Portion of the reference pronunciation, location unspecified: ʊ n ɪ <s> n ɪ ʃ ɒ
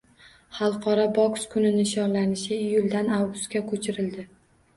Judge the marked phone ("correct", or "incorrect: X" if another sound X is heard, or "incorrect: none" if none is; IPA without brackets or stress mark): incorrect: none